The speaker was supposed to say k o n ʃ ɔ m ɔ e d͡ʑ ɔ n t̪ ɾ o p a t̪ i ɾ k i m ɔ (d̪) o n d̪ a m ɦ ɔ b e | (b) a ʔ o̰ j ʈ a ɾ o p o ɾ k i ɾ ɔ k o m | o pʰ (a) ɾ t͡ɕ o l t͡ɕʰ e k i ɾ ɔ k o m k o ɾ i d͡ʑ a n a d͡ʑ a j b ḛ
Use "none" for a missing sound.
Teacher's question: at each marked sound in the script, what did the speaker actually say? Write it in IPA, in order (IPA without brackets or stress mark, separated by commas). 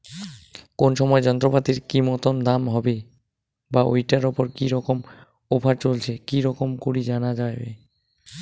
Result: t̪, b, a